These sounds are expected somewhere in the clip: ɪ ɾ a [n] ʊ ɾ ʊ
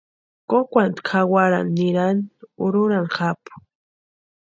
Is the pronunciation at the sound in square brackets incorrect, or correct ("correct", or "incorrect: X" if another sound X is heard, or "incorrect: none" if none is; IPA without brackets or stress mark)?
correct